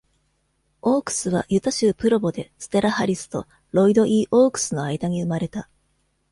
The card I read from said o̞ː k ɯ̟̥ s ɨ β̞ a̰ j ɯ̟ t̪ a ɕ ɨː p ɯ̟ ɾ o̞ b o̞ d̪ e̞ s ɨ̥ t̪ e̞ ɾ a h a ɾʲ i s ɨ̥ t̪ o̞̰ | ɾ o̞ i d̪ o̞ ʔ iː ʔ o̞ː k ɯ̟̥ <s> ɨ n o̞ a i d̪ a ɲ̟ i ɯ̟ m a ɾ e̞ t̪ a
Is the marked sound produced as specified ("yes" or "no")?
yes